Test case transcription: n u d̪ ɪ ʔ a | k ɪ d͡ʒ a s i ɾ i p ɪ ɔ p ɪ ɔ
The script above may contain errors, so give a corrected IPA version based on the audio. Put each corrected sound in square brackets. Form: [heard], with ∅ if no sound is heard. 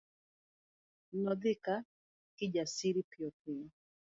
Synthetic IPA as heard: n [ɔ] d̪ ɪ [k] a | k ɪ d͡ʒ a s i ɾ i p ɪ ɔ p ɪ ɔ